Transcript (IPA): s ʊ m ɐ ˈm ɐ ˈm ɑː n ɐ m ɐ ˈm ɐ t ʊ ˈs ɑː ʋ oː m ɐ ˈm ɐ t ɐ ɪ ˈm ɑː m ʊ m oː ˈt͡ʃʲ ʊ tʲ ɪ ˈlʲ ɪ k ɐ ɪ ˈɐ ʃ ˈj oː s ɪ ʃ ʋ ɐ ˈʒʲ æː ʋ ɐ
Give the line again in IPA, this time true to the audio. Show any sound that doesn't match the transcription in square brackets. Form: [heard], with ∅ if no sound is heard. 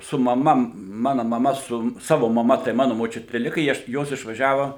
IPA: s ʊ m ɐ ˈm ɐ ˈm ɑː n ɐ m ɐ ˈm ɐ [s] ʊ ˈs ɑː ʋ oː m ɐ ˈm ɐ t ɐ ɪ ˈm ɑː [n] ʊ m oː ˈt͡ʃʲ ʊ tʲ ɪ ˈlʲ ɪ k ɐ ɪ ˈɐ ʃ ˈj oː s ɪ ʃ ʋ ɐ ˈʒʲ æː ʋ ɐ

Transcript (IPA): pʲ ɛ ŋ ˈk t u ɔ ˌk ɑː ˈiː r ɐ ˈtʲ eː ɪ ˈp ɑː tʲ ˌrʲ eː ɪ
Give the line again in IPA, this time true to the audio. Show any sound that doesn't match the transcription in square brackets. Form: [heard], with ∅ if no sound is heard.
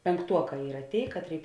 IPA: pʲ ɛ ŋ ˈk t u ɔ ˌk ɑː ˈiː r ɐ ˈtʲ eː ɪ [ˈk] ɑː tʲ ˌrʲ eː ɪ

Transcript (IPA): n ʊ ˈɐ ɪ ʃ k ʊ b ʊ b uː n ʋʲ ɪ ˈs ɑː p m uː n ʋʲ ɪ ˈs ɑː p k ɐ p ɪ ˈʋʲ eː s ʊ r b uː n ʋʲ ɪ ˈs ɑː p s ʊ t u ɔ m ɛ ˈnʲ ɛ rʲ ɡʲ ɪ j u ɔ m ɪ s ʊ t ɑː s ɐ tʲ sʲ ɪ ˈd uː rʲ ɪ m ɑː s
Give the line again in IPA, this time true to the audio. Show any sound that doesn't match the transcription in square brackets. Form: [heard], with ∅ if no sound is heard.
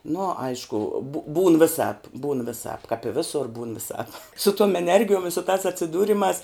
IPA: n ʊ ˈɐ ɪ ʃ k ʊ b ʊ b uː n ʋʲ ɪ ˈs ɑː p [b] uː n ʋʲ ɪ ˈs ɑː p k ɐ p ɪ ˈʋʲ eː s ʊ r b uː n ʋʲ ɪ ˈs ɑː p s ʊ t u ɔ m ɛ ˈnʲ ɛ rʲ ɡʲ ɪ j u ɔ m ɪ s ʊ t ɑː s ɐ tʲ sʲ ɪ ˈd uː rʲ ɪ m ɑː s

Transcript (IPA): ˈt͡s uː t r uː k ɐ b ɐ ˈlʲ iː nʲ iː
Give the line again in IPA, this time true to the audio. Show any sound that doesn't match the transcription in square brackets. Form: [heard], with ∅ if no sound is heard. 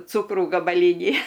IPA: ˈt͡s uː [k] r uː [ɡ] ɐ b ɐ ˈlʲ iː nʲ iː

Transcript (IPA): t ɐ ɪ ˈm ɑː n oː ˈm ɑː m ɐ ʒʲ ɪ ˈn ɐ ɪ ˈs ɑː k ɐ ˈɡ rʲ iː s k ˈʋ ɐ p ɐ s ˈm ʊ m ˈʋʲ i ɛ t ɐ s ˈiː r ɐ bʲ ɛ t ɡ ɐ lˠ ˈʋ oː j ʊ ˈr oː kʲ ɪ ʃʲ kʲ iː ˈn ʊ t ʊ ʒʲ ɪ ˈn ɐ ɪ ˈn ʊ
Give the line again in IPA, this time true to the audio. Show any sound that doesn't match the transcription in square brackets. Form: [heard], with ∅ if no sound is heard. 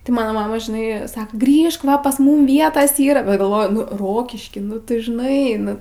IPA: t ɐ ɪ ˈm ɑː n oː ˈm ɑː m ɐ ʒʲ ɪ ˈn ɐ ɪ ˈs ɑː k ɐ ˈɡ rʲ iː [ʃ] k ˈʋ ɐ p ɐ s ˈm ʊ m ˈʋʲ i ɛ t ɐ s ˈiː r ɐ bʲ ɛ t ɡ ɐ lˠ ˈʋ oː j ʊ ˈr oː kʲ ɪ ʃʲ kʲ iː ˈn ʊ t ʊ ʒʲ ɪ ˈn ɐ ɪ ˈn ʊ

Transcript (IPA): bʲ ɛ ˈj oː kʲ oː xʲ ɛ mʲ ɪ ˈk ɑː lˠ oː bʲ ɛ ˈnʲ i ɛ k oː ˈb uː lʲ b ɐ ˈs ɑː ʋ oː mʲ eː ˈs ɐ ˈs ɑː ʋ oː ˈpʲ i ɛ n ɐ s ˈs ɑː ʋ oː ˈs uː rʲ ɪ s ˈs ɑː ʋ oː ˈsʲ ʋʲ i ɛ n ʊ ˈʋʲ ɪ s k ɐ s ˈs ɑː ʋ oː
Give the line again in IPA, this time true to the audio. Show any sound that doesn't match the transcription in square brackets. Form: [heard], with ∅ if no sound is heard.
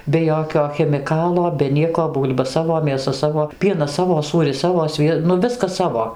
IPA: bʲ ɛ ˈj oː kʲ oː xʲ ɛ mʲ ɪ ˈk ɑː lˠ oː bʲ ɛ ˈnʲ i ɛ k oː ˈb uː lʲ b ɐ ˈs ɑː ʋ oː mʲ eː ˈs ɐ ˈs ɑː ʋ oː ˈpʲ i ɛ n ɐ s ˈs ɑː ʋ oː ˈs uː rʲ ɪ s ˈs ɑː ʋ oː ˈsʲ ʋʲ i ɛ n ʊ ˈʋʲ ɪ s k ɐ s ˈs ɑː ʋ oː

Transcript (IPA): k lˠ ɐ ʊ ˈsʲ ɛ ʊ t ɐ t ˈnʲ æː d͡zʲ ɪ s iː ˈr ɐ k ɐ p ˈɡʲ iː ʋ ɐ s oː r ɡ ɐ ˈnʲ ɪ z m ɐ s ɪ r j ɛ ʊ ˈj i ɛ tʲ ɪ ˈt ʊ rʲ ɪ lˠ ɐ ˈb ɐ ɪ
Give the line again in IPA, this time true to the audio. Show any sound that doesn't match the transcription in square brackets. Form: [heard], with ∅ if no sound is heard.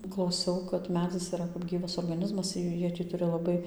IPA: k lˠ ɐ ʊ ˈsʲ ɛ ʊ [k] ɐ t [ˈmʲ] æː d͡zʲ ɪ s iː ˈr ɐ k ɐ p ˈɡʲ iː ʋ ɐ s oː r ɡ ɐ ˈnʲ ɪ z m ɐ s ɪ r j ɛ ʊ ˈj i ɛ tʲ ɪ ˈt ʊ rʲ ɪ lˠ ɐ ˈb ɐ ɪ

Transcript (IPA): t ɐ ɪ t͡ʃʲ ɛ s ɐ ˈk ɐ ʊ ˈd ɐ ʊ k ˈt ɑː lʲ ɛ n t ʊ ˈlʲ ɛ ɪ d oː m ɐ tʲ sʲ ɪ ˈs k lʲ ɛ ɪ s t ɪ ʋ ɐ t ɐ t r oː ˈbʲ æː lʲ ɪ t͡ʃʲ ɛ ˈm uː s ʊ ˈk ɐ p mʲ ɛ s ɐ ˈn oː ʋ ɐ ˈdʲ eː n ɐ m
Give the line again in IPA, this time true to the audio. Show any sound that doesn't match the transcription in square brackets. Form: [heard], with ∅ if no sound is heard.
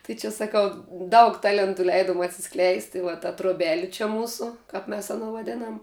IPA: t ɐ ɪ t͡ʃʲ ɛ s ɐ ˈk ɐ ʊ ˈd ɐ ʊ k ˈt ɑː lʲ ɛ n t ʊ ˈlʲ ɛ ɪ d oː m ɐ tʲ sʲ ɪ ˈs k lʲ ɛ ɪ s t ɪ ʋ ɐ t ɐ t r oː ˈbʲ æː lʲ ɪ t͡ʃʲ ɛ ˈm uː s ʊ ˈk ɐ p mʲ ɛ s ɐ ˈn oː ʋ ɐ ˈdʲ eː n ɐ m

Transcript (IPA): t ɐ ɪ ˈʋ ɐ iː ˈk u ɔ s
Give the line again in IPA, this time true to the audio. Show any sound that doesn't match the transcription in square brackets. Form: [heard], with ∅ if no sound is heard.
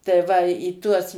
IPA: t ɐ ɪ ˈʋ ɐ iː [ˈt] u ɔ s

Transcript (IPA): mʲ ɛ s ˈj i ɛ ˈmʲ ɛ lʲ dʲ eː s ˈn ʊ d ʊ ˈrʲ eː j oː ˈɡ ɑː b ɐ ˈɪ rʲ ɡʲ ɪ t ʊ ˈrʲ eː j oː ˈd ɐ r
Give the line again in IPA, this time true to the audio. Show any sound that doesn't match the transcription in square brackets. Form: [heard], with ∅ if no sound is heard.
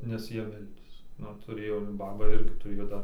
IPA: [nʲ] ɛ s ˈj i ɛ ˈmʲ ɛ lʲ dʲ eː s ˈn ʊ [t] ʊ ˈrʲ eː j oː [ˈb] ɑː b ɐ ˈɪ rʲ ɡʲ ɪ t ʊ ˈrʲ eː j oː ˈd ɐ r

